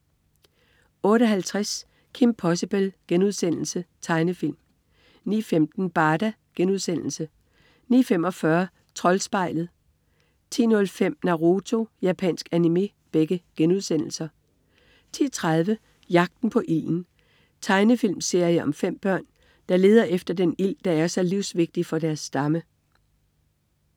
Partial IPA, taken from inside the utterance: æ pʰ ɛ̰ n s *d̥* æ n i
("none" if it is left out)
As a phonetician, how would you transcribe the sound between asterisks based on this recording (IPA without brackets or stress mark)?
ɡ̥